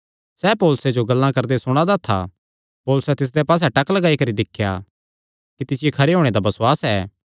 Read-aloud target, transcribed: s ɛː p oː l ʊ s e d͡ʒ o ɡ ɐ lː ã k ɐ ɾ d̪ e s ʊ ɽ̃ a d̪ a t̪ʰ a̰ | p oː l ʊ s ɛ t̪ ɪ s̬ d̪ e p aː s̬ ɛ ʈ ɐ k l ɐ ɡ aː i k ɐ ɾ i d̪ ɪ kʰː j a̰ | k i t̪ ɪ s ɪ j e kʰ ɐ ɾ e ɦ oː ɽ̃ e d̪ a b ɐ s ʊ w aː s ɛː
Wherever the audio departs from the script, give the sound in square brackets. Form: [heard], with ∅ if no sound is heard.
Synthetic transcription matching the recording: s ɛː p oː l ʊ s e d͡ʒ o ɡ ɐ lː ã k ɐ ɾ d̪ e s ʊ ɽ̃ a d̪ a t̪ʰ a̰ | p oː l ʊ s ɛ t̪ ɪ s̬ d̪ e p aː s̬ ɛ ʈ ɐ k l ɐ ɡ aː i k ɐ ɾ i d̪ ɪ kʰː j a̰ | k i t̪ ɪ s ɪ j e kʰ ɐ ɾ e ɦ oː ɽ̃ e d̪ a b ɐ s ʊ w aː s ɛː